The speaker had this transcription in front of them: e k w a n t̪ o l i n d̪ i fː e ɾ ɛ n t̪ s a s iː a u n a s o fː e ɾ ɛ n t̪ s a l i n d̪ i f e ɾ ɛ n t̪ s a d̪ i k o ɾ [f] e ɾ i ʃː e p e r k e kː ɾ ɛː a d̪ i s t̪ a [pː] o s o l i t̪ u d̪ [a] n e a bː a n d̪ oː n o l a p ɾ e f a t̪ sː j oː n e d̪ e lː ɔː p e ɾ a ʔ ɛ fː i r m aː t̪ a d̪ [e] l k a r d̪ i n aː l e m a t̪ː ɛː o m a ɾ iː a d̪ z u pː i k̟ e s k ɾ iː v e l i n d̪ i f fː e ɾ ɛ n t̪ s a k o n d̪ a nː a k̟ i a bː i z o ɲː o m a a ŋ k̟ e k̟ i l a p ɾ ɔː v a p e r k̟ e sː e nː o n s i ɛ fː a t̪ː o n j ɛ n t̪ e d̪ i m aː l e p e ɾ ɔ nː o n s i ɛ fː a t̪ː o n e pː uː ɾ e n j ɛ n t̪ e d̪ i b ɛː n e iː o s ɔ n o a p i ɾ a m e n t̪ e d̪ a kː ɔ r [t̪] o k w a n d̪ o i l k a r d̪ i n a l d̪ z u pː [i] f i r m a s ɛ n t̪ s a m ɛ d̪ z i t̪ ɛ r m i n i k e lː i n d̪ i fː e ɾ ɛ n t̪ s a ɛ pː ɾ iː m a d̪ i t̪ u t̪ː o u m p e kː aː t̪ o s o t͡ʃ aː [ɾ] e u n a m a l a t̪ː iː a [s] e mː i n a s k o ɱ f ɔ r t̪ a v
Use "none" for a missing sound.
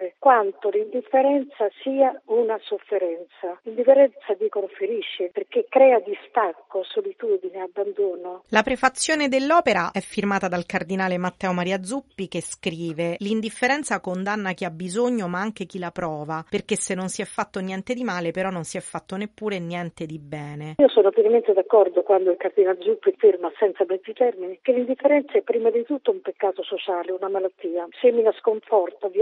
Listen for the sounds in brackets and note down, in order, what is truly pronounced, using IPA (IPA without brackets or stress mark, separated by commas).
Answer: f, kː, i, a, d̪, i, l, s